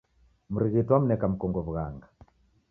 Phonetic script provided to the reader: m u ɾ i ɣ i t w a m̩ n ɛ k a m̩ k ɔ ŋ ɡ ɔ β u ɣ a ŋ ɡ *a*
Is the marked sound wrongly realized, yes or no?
no